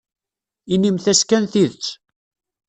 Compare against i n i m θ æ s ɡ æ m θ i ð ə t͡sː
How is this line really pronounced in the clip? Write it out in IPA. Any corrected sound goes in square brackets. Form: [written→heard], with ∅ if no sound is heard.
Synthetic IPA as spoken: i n i m θ æ s [ɡ→k] æ [m→n] θ i ð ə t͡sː